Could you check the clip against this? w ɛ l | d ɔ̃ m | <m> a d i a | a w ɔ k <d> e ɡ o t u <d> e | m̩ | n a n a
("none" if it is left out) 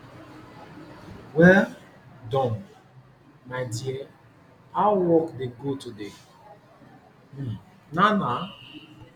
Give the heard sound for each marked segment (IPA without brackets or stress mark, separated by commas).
m, d, d